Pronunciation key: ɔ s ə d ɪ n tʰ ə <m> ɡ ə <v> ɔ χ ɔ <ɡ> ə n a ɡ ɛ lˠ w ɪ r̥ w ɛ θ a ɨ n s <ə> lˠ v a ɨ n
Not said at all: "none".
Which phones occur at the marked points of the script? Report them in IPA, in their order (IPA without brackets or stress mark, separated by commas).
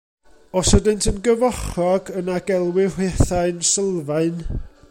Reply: n, v, ɡ, ə